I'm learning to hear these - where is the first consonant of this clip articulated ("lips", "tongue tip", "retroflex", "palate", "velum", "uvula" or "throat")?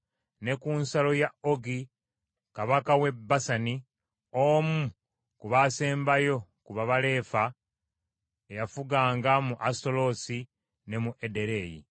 tongue tip